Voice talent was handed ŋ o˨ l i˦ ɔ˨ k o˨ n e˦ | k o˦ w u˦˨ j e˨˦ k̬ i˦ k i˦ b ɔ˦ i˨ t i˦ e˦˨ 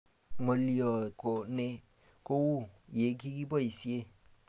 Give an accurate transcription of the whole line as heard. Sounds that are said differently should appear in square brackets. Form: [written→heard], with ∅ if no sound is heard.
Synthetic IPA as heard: ŋ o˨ l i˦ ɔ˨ k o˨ n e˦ | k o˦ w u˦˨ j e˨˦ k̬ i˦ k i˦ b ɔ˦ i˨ [t→s] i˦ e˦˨